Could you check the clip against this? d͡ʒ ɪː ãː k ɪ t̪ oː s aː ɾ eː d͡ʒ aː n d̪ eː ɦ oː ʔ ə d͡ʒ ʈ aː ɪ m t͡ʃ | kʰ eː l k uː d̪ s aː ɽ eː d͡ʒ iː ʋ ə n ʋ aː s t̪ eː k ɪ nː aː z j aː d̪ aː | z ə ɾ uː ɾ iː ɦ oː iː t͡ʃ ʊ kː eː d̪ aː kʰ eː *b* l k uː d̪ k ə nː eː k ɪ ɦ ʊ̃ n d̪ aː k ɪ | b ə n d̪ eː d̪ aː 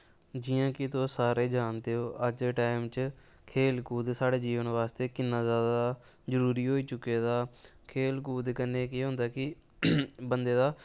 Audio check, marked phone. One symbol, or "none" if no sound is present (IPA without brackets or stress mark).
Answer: none